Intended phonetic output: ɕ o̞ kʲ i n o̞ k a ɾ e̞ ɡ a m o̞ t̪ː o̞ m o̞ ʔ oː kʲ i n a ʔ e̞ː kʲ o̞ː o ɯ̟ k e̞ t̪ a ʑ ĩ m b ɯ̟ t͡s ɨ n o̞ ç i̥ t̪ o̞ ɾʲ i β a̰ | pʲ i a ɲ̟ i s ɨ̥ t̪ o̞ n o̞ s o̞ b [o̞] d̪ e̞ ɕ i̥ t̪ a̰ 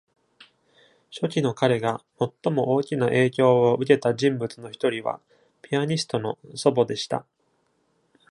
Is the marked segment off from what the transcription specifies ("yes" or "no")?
no